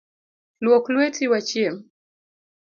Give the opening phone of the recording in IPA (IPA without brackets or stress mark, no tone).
l